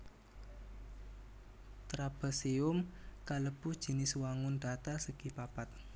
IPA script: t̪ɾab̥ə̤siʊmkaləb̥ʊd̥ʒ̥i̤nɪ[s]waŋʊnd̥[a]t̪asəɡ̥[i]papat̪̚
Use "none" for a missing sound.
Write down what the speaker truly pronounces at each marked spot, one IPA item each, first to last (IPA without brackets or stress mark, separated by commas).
s, a, i